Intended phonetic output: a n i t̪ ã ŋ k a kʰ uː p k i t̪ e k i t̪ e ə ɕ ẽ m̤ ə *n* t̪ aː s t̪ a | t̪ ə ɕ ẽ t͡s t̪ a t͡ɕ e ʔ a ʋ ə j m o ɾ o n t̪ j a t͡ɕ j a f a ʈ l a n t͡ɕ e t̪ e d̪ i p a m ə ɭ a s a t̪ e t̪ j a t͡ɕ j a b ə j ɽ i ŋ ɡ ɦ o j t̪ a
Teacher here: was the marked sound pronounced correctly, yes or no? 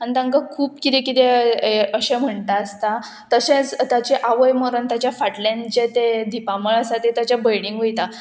no